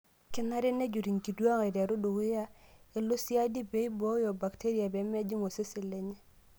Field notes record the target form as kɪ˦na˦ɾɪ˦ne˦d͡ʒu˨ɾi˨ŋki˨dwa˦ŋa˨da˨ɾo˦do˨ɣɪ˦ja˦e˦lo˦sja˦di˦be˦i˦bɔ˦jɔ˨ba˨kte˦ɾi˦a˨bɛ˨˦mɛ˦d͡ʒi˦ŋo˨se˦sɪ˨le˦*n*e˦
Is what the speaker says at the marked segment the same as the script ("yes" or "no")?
no